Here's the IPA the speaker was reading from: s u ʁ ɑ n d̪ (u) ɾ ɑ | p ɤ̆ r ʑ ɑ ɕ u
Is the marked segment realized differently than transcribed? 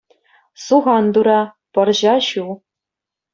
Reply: no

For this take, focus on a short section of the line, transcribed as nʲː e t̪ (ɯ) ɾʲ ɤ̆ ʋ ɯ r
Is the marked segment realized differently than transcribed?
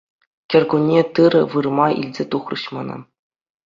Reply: no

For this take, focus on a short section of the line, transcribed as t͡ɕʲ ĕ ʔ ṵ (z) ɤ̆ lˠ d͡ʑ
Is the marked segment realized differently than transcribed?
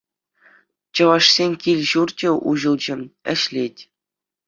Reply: yes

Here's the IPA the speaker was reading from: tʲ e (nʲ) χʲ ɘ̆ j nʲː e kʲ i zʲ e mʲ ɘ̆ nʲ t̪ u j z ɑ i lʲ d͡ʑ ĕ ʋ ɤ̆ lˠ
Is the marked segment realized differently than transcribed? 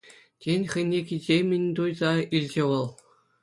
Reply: no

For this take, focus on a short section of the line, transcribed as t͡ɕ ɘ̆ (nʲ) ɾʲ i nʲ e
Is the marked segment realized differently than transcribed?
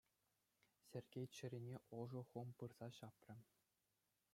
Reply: yes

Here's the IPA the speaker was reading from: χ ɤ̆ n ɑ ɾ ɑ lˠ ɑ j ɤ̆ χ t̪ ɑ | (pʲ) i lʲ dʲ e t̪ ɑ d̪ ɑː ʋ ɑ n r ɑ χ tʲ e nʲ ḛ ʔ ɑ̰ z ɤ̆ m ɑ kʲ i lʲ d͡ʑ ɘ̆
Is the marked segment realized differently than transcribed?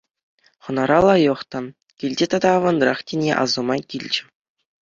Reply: yes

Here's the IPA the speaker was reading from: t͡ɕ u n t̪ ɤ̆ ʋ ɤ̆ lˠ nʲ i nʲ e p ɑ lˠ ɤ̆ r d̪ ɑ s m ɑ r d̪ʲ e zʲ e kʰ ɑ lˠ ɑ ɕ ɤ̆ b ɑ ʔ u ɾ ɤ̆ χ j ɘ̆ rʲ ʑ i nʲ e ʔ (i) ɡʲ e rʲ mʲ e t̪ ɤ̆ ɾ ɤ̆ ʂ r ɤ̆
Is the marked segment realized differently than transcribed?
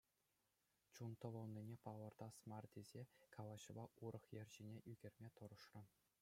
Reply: yes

